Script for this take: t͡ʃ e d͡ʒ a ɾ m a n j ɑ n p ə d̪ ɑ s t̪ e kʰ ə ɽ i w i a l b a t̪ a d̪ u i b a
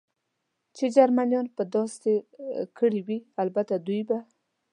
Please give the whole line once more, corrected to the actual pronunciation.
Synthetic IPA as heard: t͡ʃ e d͡ʒ a ɾ m a n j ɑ n p ə d̪ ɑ s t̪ e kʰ ə ɽ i w i a l b a t̪ a d̪ u j b a